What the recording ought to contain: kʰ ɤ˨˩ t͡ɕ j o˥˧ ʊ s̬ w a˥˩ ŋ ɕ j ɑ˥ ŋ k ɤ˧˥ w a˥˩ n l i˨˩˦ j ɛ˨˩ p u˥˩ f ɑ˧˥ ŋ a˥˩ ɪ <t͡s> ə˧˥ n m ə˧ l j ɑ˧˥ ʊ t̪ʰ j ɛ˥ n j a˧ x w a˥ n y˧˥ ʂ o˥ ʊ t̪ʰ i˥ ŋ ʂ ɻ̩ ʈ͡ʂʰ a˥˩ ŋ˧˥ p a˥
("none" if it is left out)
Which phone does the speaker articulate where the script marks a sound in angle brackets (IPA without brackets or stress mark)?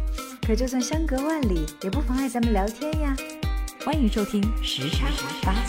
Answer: t͡s